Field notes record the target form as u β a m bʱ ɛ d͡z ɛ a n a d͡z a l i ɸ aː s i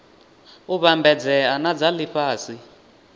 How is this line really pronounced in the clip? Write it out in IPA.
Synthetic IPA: u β a m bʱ ɛ d͡z ɛ a n a d͡z a l i ɸ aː s i

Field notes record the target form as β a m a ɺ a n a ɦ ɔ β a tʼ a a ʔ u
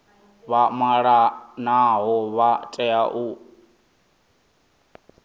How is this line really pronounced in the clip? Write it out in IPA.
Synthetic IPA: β a m a ɺ a n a ɦ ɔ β a tʼ ɛ a ʔ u

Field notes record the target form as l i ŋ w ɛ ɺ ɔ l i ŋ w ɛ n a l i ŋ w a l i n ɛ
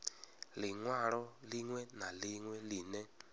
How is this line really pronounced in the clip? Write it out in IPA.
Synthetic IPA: l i ŋ w a ɺ ɔ l i ŋ w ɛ n a l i ŋ w ɛ l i n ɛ

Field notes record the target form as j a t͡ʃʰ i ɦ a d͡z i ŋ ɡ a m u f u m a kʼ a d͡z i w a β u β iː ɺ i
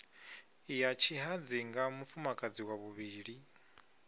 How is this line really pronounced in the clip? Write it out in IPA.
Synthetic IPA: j a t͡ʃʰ i ɦ a d͡z i ŋ ɡ a m u f u m a kʼ a d͡z i w a β u β iː ɺ i

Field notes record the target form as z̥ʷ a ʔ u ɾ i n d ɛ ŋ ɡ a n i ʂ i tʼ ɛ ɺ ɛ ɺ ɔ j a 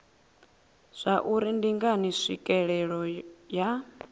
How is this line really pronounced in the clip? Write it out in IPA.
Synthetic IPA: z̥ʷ a ʔ u ɾ i n d i ŋ ɡ a n i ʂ i kʼ ɛ ɺ ɛ ɺ ɔ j a

